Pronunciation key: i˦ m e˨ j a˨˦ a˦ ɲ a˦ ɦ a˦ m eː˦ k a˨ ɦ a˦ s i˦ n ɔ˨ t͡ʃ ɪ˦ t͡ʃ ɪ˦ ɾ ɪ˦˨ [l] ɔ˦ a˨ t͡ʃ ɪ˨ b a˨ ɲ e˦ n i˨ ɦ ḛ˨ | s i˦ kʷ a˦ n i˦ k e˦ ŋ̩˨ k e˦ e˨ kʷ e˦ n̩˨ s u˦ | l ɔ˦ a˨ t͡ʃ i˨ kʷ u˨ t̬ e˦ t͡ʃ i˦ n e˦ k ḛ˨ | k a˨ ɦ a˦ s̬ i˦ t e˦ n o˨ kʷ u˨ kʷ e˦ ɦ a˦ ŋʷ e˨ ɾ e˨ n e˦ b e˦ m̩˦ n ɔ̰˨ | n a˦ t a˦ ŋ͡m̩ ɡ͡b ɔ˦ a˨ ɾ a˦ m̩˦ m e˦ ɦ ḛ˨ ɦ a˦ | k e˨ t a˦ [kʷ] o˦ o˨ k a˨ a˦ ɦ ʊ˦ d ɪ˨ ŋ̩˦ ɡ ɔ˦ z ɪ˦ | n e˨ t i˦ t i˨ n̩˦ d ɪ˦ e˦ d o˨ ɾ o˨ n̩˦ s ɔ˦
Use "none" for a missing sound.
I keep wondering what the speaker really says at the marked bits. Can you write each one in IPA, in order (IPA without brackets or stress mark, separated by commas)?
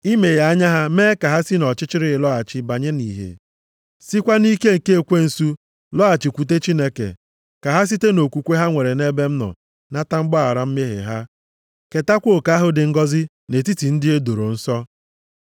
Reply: l, kʷ